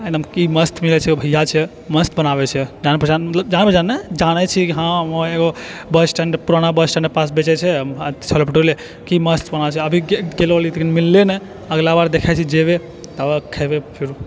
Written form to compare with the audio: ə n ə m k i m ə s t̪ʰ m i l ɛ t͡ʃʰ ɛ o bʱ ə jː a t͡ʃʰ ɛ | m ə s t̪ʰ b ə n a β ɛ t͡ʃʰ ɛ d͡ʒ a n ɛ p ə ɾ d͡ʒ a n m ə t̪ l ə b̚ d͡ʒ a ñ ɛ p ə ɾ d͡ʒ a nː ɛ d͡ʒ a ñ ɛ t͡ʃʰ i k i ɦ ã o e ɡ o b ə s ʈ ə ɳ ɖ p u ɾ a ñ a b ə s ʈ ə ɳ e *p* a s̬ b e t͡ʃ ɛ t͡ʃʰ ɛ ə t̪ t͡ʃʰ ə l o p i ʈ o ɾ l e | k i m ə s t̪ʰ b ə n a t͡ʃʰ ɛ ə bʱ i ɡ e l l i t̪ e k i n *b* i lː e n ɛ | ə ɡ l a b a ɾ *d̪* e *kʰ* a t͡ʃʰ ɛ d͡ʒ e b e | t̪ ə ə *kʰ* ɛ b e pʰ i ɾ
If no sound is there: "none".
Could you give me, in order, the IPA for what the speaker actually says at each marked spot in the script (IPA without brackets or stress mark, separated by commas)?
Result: p, m, d̪, kʰ, kʰ